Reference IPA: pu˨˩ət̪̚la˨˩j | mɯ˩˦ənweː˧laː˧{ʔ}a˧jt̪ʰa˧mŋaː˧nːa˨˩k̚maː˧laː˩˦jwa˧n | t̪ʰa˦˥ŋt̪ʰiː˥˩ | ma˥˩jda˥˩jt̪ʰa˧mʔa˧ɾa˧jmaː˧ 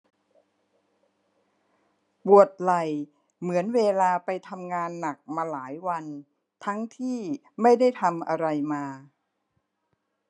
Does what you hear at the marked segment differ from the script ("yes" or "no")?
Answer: yes